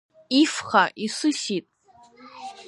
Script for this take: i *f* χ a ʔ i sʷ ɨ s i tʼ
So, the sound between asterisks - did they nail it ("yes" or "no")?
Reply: yes